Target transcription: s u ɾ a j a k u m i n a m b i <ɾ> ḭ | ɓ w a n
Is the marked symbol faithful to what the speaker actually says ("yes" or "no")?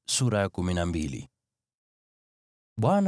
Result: no